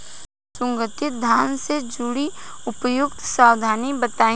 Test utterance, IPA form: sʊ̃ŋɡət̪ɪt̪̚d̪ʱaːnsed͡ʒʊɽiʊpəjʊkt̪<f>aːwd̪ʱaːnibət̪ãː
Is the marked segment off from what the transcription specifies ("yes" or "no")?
yes